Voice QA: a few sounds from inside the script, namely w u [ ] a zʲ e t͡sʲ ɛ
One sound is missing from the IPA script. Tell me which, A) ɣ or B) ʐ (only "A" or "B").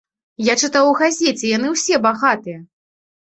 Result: A